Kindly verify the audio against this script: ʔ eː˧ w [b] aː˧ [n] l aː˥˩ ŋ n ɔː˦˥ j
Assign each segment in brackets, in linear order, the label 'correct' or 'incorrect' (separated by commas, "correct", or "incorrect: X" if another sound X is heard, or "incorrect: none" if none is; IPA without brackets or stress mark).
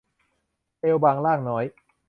correct, incorrect: ŋ